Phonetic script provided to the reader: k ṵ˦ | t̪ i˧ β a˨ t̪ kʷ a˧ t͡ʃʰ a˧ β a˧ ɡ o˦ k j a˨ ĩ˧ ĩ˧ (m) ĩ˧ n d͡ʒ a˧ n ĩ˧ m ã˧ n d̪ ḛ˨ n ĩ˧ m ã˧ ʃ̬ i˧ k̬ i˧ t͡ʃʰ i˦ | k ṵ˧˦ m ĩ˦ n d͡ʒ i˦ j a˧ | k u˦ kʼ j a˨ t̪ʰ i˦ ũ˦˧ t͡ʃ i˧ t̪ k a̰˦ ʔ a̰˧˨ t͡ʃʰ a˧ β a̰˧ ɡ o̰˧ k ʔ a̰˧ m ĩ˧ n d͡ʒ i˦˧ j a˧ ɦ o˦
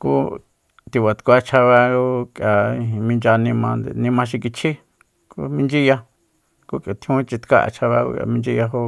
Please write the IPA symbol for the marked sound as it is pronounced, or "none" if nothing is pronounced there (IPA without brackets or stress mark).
m